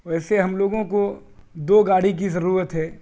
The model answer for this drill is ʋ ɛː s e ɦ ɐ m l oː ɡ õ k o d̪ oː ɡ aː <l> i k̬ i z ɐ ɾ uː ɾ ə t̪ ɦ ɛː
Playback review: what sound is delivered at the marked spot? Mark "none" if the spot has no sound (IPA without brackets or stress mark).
ɽ